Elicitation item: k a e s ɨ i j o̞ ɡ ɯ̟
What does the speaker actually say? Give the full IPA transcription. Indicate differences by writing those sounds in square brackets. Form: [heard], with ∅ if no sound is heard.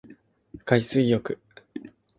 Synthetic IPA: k a [i] s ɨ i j o̞ [k] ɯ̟

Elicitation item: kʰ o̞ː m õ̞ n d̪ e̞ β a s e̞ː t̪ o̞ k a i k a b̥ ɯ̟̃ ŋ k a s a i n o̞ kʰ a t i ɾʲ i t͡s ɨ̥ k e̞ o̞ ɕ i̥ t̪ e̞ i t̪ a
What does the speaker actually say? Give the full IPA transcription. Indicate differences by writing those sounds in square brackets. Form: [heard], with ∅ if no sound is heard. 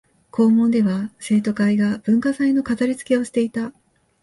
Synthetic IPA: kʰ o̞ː m õ̞ n d̪ e̞ β a s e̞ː t̪ o̞ k a i [ɡ] a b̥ ɯ̟̃ ŋ k a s a i n o̞ [k] a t [a] ɾʲ i t͡s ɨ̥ k e̞ o̞ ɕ i̥ t̪ e̞ i t̪ a

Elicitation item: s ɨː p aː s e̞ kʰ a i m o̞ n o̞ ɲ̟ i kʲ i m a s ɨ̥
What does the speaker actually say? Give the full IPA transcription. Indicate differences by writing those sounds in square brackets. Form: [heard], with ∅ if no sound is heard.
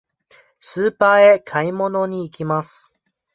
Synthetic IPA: s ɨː p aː [∅] e̞ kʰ a i m o̞ n o̞ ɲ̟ [iː] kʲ i m a s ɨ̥

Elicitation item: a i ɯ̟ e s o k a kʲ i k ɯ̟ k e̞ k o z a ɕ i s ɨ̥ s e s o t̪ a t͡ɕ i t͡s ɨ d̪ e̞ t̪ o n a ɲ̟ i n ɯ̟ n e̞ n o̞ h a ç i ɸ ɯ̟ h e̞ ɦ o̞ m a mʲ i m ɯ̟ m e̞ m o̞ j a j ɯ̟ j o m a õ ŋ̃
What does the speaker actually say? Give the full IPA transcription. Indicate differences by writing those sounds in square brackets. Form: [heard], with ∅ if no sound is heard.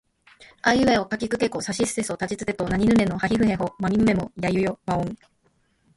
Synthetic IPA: a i ɯ̟ e [∅] o k a kʲ i k ɯ̟ k e̞ k o [s] a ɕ i s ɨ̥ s e s o t̪ a t͡ɕ i t͡s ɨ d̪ e̞ t̪ o n a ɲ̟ i n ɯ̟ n e̞ n o̞ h a ç i ɸ ɯ̟ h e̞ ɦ o̞ m a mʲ i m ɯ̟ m e̞ m o̞ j a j ɯ̟ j o m a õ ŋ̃

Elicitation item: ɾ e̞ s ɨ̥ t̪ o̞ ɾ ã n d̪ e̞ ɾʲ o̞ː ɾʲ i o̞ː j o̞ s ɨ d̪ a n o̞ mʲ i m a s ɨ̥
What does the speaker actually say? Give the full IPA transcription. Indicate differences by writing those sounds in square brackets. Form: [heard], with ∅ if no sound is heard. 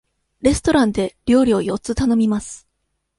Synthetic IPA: ɾ e̞ s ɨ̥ t̪ o̞ ɾ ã n d̪ e̞ ɾʲ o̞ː ɾʲ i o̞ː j o̞ [t͡s] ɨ [t̪] a n o̞ mʲ i m a s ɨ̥

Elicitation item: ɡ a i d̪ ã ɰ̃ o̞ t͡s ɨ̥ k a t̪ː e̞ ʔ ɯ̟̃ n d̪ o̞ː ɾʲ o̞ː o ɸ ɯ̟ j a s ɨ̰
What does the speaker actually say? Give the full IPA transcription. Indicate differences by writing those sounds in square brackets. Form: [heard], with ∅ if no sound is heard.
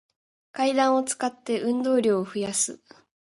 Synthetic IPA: [k] a i d̪ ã ɰ̃ o̞ t͡s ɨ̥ k a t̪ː e̞ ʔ ɯ̟̃ n d̪ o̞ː ɾʲ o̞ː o ɸ ɯ̟ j a s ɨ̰

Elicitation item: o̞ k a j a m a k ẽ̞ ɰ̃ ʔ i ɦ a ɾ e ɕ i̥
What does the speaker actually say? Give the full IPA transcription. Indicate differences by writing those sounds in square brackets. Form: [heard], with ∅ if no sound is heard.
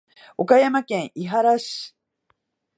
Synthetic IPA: o̞ k a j a m a k ẽ̞ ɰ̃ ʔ i ɦ a ɾ [a] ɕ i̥

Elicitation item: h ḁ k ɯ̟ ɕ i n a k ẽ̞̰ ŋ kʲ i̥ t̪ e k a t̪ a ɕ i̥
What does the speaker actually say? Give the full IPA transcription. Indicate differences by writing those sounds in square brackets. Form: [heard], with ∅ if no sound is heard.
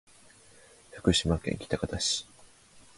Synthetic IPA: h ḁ k ɯ̟ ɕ i [m] a k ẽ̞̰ ŋ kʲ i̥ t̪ [a] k a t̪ a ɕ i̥

